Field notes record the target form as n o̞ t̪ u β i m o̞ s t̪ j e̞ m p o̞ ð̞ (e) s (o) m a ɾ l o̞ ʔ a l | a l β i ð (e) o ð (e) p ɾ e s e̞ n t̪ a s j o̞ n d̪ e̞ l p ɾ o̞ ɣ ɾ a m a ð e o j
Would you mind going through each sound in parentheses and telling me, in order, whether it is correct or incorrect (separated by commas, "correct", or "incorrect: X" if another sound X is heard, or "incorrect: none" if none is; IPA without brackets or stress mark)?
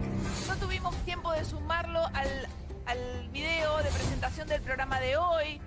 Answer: correct, incorrect: u, correct, correct